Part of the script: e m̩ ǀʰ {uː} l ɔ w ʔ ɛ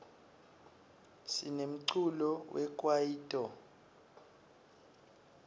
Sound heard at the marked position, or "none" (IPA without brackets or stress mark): u